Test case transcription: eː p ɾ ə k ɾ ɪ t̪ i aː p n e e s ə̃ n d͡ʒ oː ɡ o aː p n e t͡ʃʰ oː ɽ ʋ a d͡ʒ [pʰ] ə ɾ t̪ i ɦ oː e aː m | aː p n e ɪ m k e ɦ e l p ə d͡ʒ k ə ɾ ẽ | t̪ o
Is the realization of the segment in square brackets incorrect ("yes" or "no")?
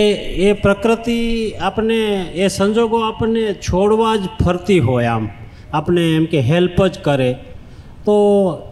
no